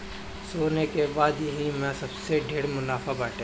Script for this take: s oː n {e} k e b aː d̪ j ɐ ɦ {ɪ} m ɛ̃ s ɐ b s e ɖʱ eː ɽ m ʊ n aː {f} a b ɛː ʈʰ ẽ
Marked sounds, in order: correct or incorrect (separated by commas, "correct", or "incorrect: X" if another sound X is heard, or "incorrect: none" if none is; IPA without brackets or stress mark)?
correct, incorrect: i, correct